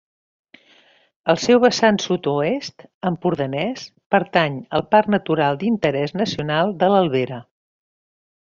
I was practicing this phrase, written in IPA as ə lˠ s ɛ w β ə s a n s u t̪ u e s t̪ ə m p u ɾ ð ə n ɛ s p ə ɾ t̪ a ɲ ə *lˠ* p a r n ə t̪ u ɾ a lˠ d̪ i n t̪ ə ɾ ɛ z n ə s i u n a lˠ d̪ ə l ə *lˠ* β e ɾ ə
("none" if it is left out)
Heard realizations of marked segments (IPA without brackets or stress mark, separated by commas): lˠ, lˠ